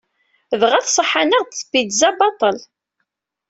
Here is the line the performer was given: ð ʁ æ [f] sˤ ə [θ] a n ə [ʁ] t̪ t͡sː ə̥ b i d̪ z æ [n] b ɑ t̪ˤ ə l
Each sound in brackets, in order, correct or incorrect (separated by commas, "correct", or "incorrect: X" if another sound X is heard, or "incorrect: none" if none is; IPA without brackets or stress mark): incorrect: θ, incorrect: ħ, correct, incorrect: none